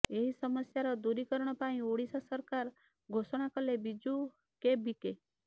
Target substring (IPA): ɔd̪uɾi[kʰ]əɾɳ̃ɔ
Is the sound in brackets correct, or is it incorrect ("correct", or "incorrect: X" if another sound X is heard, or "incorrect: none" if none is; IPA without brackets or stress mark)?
incorrect: k